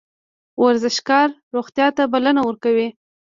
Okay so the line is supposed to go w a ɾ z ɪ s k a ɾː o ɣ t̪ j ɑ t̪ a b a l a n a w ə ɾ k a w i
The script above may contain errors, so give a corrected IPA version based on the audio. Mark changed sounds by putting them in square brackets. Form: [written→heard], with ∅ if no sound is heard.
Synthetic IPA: w a ɾ z ɪ [s→ʃ] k [a→ɑ] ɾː o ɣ t̪ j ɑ t̪ a b a l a n a w ə ɾ k a w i